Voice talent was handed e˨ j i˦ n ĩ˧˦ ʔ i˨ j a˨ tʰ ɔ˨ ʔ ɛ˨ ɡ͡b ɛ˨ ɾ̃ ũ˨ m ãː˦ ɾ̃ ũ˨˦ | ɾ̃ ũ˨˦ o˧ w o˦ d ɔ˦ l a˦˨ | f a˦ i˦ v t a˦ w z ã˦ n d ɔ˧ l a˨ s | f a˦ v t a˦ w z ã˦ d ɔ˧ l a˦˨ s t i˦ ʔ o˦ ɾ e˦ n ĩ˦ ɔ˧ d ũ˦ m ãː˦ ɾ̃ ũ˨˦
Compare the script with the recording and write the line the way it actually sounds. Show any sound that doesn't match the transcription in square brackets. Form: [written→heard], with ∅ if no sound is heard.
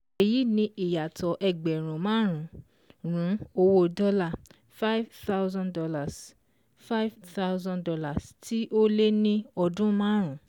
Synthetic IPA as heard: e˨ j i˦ n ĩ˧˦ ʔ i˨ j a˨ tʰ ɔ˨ ʔ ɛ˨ ɡ͡b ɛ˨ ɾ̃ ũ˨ m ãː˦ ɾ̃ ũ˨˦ | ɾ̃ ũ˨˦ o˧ w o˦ d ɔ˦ l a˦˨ | f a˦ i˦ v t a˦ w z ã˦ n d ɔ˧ l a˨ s | f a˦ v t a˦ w z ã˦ d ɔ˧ l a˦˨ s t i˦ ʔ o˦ [ɾ→l] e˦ n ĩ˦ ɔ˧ d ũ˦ m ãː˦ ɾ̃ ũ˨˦